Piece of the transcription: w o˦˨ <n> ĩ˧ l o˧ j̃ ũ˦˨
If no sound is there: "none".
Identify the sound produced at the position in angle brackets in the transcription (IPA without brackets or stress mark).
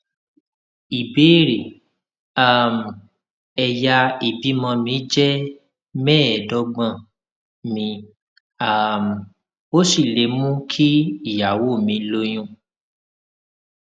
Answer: m